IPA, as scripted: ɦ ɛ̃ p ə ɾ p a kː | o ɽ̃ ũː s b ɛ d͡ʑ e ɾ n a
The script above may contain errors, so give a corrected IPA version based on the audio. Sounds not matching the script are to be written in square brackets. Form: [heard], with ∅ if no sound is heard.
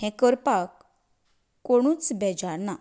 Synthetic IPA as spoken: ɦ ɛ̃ [k] ə ɾ p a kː | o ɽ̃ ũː [t͡s] b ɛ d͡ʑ [a] ɾ n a